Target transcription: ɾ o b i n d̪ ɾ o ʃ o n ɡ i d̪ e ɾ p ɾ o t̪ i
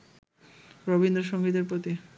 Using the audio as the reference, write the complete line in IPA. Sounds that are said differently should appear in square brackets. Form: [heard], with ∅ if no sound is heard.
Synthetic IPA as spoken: ɾ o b i n d̪ ɾ o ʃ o [ŋ] ɡ i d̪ e ɾ p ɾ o t̪ i